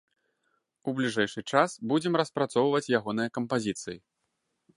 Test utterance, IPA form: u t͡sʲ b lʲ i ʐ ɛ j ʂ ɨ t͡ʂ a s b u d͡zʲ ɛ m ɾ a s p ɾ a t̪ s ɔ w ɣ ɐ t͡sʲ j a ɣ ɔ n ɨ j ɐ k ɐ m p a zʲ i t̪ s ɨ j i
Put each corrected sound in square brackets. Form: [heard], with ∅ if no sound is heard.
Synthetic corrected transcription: u [∅] b lʲ i ʐ ɛ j ʂ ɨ t͡ʂ a s b u d͡zʲ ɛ m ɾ [ɐ] s p ɾ a t̪ s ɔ w [v] ɐ t͡sʲ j a ɣ ɔ n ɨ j ɐ k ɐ m p a zʲ i t̪ s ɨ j i

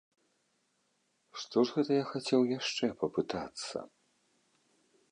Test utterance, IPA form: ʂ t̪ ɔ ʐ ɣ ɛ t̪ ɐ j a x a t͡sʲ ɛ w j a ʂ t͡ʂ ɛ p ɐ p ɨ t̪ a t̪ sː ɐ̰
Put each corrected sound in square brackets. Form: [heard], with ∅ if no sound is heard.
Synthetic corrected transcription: ʂ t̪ ɔ ʐ ɣ ɛ t̪ ɐ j a x a t͡sʲ ɛ w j a ʂ t͡ʂ ɛ p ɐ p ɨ t̪ a t̪ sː ɐ̰

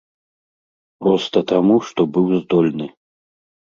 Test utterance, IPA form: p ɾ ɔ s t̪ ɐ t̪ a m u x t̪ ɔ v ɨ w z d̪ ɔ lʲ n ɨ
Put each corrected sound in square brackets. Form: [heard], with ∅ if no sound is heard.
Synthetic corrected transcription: p ɾ ɔ s t̪ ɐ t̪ a m u [ʂ] t̪ ɔ [b] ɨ w z d̪ ɔ lʲ n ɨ

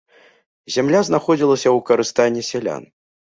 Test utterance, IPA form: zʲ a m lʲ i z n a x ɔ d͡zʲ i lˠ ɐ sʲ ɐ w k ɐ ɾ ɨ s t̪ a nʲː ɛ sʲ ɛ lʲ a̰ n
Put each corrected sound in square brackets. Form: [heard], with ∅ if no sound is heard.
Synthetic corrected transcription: zʲ a m lʲ [a] z n a x ɔ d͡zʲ i lˠ ɐ sʲ ɐ w k ɐ ɾ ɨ s t̪ a nʲː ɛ sʲ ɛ lʲ a̰ n

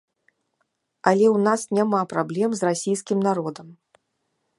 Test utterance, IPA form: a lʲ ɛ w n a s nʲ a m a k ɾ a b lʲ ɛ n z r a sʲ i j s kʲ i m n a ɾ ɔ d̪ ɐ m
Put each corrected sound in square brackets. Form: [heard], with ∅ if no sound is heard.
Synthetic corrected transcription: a lʲ ɛ w n a s nʲ a m a [p] ɾ a b lʲ ɛ [m] z r a sʲ i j s kʲ i m n a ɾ ɔ d̪ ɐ m

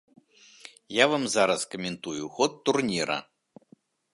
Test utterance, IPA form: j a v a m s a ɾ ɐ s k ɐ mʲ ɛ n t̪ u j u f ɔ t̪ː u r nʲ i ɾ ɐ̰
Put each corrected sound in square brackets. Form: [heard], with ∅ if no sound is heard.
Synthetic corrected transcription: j a v a m [z] a ɾ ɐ s k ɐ mʲ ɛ n t̪ u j u [x] ɔ t̪ː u r nʲ i ɾ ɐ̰

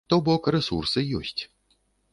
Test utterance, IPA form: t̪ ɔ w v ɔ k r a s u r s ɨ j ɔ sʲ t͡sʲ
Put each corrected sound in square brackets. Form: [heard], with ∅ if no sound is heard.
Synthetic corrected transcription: t̪ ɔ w [b] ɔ k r [ɛ] s u r s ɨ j ɔ sʲ t͡sʲ

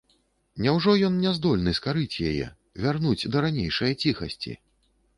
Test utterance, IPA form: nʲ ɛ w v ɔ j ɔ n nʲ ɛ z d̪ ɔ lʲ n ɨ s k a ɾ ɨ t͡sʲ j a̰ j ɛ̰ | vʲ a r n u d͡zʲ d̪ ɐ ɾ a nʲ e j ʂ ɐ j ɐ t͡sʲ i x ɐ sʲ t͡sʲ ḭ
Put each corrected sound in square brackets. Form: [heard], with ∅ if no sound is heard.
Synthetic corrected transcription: nʲ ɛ w [ʐ] ɔ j ɔ n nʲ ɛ z d̪ ɔ lʲ n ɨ s k a ɾ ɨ t͡sʲ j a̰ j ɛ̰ | vʲ a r n u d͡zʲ d̪ ɐ ɾ a nʲ e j ʂ ɐ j ɐ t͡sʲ i x ɐ sʲ t͡sʲ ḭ

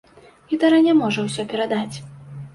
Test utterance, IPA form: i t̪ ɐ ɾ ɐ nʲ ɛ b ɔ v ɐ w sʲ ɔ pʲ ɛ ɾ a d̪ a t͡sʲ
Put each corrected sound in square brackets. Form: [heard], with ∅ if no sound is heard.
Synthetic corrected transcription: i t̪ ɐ ɾ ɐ nʲ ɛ [m] ɔ [ʐ] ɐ w sʲ ɔ pʲ ɛ ɾ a d̪ a t͡sʲ

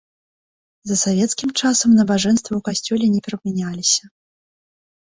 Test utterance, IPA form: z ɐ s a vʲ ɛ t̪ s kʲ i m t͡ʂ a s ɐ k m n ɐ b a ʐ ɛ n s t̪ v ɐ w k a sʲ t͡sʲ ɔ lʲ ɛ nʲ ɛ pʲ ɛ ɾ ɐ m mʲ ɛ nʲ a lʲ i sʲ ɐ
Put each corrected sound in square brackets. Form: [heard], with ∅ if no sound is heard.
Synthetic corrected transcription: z ɐ s a vʲ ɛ t̪ s kʲ i m t͡ʂ a s ɐ [∅] m n ɐ b a ʐ ɛ n s t̪ v ɐ w k a sʲ t͡sʲ ɔ lʲ ɛ nʲ ɛ pʲ ɛ ɾ ɐ [b] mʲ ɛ nʲ a lʲ i sʲ ɐ

